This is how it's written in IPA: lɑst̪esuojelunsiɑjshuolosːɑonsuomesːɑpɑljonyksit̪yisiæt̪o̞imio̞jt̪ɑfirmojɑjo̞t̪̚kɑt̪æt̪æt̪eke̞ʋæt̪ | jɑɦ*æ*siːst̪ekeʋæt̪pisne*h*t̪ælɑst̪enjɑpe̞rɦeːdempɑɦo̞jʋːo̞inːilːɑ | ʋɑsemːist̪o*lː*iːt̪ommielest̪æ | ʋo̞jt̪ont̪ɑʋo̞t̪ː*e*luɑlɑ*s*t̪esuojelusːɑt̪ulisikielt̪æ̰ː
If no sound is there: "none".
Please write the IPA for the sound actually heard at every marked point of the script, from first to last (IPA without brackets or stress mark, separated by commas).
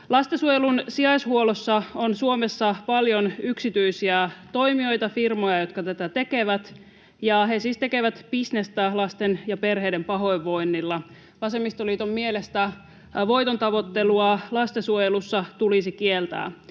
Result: e, s, l, e, s